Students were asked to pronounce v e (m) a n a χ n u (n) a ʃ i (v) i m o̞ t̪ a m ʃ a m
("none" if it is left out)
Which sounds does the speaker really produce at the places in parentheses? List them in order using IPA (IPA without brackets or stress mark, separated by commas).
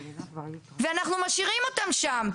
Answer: none, m, ʁ